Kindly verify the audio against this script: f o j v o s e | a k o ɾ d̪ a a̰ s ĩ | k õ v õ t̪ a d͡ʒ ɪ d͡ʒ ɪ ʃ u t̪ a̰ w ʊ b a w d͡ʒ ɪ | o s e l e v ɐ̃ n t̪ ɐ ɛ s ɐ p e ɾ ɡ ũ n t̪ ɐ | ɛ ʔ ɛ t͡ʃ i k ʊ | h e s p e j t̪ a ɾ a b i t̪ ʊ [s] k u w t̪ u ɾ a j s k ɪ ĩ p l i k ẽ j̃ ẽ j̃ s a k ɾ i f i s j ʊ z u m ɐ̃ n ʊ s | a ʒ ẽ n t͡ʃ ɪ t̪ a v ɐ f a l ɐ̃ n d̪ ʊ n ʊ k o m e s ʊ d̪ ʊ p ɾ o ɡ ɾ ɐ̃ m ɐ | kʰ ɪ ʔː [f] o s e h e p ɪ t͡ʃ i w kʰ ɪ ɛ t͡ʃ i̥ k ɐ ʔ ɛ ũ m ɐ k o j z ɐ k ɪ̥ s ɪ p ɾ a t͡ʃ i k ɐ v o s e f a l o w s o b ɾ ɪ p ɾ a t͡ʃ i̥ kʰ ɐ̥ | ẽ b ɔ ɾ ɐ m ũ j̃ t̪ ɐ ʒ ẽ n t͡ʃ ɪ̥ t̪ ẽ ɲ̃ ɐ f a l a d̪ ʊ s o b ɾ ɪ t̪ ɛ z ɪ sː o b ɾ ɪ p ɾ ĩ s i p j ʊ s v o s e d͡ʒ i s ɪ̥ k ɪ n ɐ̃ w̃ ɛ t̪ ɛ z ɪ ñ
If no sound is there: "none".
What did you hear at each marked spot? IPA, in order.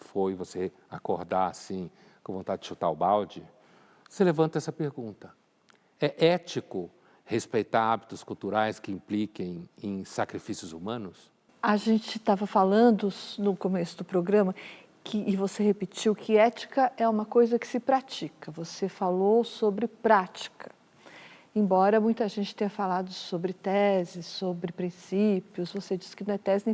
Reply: s, v

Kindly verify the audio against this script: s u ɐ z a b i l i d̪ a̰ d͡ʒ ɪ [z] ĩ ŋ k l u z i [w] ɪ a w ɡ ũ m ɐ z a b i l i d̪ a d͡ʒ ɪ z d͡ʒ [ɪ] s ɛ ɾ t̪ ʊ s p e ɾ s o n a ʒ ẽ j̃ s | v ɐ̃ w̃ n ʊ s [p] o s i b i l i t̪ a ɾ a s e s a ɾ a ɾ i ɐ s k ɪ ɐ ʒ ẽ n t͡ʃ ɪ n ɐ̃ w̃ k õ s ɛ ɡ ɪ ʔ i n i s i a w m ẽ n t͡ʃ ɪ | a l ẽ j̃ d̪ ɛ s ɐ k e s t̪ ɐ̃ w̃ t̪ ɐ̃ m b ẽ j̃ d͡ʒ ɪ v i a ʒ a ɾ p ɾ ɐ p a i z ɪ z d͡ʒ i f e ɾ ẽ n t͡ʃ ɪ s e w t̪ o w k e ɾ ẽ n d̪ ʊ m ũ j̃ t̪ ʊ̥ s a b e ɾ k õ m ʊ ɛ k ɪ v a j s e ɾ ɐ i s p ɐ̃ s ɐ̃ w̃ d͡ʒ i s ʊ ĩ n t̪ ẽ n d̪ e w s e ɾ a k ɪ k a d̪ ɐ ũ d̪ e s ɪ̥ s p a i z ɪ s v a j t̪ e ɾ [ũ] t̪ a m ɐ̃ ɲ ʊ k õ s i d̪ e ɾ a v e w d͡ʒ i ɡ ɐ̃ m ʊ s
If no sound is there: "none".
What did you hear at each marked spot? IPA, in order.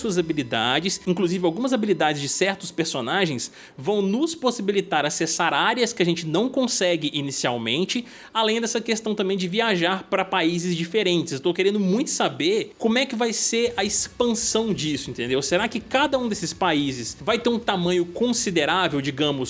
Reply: s, v, ɪ, p, ũ

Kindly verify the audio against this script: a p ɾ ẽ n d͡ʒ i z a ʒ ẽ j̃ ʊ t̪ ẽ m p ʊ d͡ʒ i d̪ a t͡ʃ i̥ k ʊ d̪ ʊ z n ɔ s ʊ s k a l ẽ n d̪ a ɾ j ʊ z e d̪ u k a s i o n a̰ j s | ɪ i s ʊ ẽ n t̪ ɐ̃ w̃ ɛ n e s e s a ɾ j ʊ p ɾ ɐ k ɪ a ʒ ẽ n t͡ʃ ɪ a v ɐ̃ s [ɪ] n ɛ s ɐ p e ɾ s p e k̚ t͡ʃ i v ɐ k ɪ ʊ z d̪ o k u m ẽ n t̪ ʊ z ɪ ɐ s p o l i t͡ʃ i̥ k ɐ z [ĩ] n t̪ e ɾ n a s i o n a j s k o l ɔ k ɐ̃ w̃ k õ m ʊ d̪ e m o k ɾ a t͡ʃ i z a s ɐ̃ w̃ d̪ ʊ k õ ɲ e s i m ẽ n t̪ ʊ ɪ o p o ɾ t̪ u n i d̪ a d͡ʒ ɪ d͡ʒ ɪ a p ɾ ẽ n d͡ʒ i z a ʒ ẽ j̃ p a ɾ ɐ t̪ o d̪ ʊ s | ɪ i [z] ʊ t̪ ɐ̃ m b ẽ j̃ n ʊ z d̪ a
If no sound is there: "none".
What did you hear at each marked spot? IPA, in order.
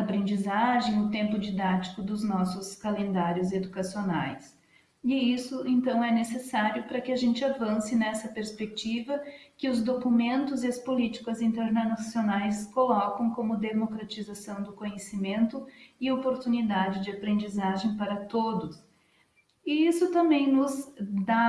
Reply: ɪ, ĩ, s

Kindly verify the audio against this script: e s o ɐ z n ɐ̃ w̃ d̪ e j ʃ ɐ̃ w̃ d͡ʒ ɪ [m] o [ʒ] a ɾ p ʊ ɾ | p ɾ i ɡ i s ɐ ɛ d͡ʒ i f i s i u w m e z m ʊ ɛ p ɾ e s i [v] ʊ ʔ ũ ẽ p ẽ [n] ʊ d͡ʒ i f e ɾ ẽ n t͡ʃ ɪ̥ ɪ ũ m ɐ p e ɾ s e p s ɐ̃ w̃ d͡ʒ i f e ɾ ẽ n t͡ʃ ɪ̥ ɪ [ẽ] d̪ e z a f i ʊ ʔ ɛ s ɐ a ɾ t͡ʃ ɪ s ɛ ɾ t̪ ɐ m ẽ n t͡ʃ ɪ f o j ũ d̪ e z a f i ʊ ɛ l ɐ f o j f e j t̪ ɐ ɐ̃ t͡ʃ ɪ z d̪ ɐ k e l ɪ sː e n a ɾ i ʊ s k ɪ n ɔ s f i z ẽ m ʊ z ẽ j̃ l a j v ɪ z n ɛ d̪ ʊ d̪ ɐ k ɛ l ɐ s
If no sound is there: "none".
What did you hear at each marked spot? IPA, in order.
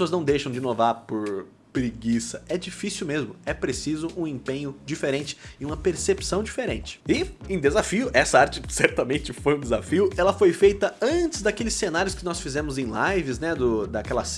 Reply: n, v, z, ɲ, ẽ

